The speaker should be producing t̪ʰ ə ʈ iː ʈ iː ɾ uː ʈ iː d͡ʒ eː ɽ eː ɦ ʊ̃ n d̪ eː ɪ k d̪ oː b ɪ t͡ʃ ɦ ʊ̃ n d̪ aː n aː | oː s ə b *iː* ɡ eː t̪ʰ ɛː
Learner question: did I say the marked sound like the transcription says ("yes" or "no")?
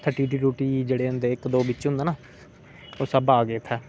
no